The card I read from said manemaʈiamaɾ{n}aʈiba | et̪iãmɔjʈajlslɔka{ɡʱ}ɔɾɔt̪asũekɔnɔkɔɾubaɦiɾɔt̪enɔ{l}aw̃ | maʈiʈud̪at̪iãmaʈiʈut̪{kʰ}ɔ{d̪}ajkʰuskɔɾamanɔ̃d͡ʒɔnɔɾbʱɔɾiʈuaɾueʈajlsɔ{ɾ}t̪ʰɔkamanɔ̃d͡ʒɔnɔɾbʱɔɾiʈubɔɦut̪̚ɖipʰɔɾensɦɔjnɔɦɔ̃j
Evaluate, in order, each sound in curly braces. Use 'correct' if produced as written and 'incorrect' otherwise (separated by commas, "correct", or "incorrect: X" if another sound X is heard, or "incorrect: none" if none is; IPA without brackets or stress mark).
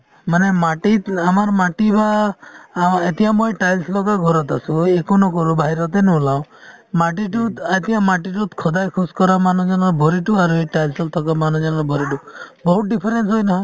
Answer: incorrect: m, correct, correct, correct, correct, incorrect: l